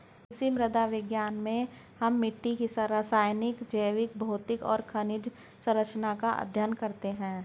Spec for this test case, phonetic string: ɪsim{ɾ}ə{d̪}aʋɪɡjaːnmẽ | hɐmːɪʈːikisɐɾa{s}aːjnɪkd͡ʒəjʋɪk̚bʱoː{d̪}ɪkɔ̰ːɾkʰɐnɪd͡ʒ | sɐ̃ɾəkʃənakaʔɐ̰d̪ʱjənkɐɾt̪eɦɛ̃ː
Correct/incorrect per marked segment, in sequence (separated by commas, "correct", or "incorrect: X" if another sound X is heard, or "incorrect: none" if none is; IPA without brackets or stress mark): correct, correct, correct, incorrect: t̪